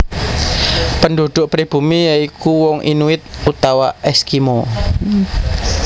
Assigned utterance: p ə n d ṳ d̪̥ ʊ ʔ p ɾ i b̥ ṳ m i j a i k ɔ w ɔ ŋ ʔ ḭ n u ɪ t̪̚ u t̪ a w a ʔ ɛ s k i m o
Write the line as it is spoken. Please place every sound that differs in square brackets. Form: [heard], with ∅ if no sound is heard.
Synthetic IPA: p ə n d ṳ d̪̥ ʊ ʔ p ɾ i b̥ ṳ m i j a i k [u] w ɔ ŋ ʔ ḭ n u ɪ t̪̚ u t̪ a w a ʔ ɛ s k i m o